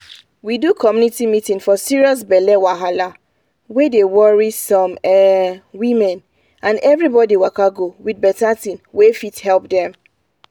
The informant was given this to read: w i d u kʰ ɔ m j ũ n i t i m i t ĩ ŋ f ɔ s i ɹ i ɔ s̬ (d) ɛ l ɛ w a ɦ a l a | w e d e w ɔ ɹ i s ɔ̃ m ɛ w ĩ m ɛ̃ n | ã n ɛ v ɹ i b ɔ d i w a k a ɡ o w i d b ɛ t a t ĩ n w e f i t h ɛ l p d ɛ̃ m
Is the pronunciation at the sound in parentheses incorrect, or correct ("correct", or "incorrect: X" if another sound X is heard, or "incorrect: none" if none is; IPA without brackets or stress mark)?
incorrect: b